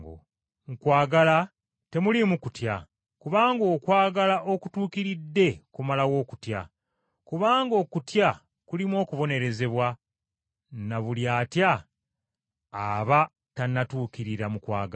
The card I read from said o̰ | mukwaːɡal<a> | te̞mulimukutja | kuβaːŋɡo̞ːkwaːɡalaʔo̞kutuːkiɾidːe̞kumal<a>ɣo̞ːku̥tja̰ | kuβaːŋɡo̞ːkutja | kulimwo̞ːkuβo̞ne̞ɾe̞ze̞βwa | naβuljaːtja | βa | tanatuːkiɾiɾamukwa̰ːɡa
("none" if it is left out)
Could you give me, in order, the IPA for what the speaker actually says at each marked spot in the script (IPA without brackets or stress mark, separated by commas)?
a, a